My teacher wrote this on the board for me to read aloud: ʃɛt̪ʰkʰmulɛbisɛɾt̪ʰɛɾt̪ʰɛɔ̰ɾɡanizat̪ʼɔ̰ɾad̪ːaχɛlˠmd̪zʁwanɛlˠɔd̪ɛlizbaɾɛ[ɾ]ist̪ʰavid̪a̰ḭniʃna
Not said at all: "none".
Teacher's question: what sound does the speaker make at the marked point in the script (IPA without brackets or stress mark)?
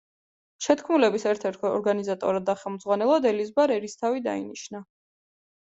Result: ɾ